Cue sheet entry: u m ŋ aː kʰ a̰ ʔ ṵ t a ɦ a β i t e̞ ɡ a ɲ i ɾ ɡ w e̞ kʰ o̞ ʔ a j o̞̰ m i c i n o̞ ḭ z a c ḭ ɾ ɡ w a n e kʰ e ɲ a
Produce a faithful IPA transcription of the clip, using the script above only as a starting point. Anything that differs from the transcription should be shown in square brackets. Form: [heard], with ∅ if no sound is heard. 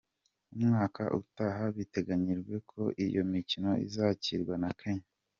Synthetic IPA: u m ŋ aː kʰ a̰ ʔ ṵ t a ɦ a β i t e̞ ɡ a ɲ i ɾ ɡ w e̞ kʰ o̞ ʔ [i] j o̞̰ m i c i n o̞ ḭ z a c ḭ ɾ ɡ w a n [a] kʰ e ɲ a